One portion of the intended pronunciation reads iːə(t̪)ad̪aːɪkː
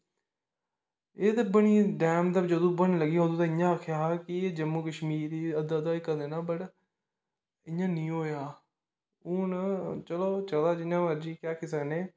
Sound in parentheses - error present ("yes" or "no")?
yes